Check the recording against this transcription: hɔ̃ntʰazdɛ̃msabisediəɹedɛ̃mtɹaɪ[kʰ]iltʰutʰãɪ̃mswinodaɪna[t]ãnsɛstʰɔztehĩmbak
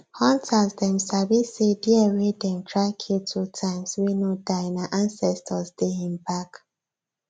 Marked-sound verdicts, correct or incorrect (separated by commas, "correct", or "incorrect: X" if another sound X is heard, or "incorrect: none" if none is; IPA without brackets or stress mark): correct, incorrect: ʔ